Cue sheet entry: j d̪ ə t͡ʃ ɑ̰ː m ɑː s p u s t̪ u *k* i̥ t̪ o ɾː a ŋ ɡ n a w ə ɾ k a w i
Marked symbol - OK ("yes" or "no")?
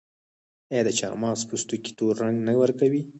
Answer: yes